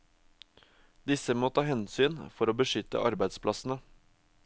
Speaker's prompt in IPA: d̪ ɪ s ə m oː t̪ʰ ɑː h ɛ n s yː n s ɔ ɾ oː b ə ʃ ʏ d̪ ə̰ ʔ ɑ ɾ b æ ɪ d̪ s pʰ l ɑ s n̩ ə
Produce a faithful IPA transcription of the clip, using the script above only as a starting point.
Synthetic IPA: d̪ ɪ s ə m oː t̪ʰ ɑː h ɛ n s yː n f ɔ ɾ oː b ə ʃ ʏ t̪ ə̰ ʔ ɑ ɾ b æ ɪ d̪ s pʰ l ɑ s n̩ ə